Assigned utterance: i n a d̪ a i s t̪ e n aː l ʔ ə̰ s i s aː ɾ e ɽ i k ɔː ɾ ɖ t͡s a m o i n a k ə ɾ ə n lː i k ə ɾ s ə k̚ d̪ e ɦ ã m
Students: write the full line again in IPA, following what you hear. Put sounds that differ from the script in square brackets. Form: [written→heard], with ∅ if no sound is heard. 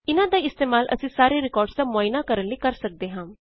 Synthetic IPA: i n a d̪ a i s t̪ e [n→m] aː l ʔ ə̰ s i s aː ɾ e [ɽ→ɾ] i k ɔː ɾ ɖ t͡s a m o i n a k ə ɾ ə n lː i k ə ɾ s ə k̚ d̪ e ɦ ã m